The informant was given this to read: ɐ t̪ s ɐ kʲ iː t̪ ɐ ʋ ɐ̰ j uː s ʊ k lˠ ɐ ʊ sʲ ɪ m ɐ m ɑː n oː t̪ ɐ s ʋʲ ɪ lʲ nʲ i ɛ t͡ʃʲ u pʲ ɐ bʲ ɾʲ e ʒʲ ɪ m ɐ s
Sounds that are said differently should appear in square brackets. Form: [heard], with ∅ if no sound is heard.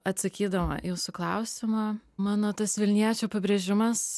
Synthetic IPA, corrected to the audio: ɐ t̪ s ɐ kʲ iː [d̪] ɐ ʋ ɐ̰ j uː s ʊ k lˠ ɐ ʊ sʲ ɪ m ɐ m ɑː n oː t̪ ɐ s ʋʲ ɪ lʲ nʲ i ɛ t͡ʃʲ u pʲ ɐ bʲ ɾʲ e ʒʲ ɪ m ɐ s